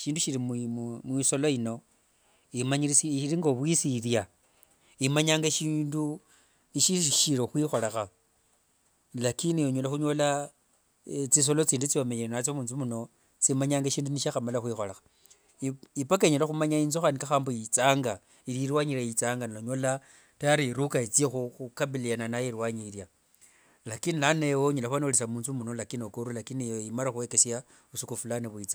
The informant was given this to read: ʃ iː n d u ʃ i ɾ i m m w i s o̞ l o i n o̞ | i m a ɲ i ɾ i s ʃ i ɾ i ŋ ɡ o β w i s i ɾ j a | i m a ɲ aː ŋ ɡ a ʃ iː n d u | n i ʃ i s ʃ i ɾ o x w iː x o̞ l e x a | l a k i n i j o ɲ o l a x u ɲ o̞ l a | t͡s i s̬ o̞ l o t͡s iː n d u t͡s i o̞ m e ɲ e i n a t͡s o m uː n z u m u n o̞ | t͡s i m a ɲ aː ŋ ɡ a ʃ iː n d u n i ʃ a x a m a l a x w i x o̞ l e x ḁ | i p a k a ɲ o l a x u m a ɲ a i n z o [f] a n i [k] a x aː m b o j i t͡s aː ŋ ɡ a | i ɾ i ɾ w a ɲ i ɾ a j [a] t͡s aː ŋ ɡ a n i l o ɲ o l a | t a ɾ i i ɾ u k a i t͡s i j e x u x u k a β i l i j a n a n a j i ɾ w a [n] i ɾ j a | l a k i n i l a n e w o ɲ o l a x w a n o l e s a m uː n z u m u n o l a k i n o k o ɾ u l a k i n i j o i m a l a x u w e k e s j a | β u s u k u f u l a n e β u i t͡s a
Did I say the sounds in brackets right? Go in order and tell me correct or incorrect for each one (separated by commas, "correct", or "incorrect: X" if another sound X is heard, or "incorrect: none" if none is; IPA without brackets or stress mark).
incorrect: x, correct, incorrect: i, incorrect: ɲ